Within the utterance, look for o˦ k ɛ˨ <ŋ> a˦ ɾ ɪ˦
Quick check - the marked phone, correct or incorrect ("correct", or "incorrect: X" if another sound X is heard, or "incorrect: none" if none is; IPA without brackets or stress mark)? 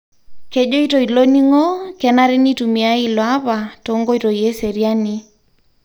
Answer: incorrect: n